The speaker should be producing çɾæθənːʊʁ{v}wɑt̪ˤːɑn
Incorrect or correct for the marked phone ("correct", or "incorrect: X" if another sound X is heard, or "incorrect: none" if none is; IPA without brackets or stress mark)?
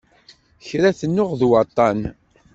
incorrect: ð